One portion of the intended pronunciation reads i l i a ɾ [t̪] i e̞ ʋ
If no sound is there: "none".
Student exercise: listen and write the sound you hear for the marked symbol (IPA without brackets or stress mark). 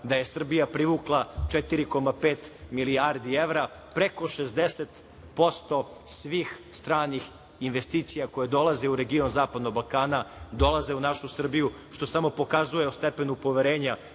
d̪